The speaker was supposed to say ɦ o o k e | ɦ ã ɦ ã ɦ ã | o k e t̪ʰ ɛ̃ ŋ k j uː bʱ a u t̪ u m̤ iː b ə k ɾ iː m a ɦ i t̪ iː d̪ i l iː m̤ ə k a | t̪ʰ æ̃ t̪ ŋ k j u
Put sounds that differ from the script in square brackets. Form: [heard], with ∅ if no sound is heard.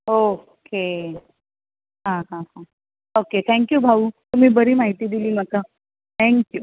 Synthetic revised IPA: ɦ o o k e | ɦ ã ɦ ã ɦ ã | o k e t̪ʰ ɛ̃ ŋ k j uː bʱ a u t̪ u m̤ iː b ə [∅] ɾ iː m a ɦ i t̪ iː d̪ i l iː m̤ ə k a | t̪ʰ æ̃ [∅] ŋ k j u